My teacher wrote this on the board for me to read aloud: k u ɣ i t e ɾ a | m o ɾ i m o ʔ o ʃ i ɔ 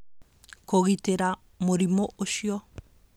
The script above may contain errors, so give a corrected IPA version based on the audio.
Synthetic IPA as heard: k o ɣ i t e ɾ a | m o ɾ i m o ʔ o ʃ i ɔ